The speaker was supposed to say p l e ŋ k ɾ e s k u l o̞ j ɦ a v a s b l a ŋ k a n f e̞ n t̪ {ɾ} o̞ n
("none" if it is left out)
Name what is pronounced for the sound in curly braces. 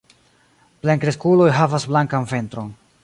ɾ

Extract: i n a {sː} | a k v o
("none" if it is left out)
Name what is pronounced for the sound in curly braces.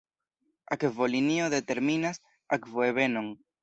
s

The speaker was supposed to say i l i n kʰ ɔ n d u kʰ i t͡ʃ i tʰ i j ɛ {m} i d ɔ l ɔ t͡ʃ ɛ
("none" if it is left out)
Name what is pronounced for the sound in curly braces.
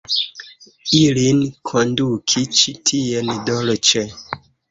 n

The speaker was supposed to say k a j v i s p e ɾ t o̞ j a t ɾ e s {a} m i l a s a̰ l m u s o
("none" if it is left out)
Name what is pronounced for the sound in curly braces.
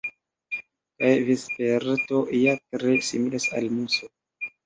i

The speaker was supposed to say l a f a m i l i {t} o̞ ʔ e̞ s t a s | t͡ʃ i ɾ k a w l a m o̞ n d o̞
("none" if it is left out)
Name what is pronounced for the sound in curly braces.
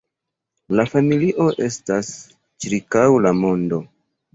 ʔ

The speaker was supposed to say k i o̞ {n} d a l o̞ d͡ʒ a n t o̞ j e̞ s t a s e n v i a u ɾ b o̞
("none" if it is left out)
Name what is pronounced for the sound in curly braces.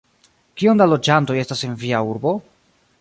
n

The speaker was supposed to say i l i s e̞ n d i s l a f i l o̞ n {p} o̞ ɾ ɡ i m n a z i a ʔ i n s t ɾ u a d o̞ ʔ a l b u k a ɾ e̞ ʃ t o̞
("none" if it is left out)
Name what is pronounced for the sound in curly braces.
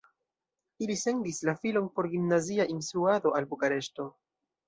p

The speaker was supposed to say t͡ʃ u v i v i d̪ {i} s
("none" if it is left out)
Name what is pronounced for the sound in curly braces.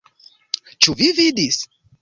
i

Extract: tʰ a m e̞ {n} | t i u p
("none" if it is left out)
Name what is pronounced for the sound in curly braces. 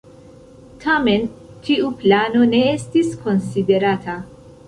n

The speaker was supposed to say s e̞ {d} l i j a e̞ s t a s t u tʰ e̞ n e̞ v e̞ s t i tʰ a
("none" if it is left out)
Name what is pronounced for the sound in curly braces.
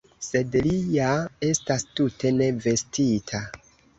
d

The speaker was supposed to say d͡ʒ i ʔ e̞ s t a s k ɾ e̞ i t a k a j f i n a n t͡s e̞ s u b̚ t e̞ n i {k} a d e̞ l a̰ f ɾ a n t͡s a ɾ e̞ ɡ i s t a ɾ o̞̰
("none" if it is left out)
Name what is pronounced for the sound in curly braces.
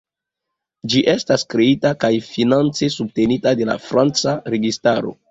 t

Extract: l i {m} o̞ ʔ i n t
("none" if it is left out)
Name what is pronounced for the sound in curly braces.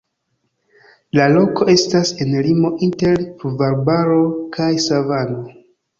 m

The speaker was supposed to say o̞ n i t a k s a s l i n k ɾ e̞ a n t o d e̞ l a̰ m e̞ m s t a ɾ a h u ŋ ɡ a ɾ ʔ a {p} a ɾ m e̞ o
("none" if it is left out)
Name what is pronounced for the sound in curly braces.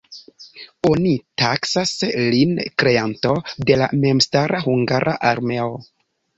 ʔ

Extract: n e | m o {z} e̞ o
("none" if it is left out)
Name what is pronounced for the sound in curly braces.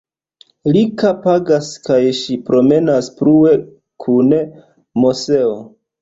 s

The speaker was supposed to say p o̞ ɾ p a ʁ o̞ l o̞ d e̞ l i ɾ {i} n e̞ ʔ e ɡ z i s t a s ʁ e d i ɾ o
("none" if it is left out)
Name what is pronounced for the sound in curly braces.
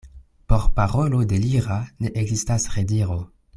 a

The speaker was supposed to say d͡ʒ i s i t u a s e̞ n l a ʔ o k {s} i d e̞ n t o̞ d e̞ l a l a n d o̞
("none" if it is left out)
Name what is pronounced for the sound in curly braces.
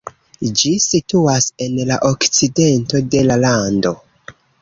t͡s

